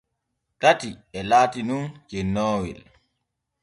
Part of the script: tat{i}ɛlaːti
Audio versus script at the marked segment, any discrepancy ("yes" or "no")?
no